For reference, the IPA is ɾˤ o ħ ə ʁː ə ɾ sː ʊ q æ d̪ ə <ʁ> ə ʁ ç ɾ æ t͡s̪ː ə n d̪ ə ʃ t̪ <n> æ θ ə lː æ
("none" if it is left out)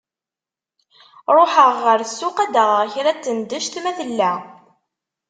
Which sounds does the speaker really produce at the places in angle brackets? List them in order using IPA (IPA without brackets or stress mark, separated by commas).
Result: ʁ, m